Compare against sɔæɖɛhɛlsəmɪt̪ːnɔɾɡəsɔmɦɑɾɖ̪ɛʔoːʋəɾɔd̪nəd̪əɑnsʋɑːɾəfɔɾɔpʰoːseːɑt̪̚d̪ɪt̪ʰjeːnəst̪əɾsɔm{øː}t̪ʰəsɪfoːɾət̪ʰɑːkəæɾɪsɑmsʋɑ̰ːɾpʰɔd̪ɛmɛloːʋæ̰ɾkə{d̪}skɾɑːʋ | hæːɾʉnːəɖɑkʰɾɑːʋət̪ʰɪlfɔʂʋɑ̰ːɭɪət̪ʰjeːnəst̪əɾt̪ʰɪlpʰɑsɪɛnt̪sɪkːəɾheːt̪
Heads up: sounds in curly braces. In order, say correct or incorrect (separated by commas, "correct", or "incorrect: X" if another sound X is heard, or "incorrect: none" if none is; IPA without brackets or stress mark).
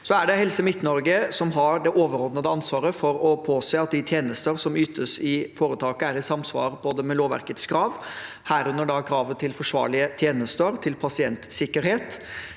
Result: incorrect: yː, incorrect: t̪